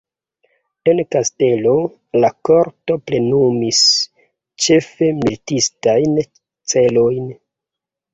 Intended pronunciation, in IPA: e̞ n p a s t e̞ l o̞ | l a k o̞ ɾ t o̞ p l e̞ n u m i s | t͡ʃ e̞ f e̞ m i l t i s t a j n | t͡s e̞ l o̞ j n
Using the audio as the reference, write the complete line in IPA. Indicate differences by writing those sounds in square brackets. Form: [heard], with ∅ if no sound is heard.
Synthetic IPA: e̞ n [k] a s t e̞ l o̞ | l a k o̞ ɾ t o̞ p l e̞ n u m i s | t͡ʃ e̞ f e̞ m i l t i s t a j n | t͡s e̞ l o̞ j n